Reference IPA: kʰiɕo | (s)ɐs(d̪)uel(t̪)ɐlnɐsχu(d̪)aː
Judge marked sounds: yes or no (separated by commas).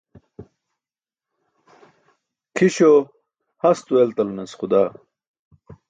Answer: no, no, yes, yes